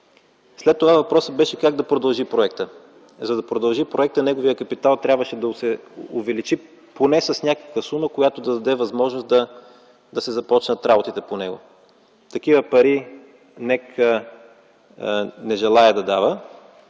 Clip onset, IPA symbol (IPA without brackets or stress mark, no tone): s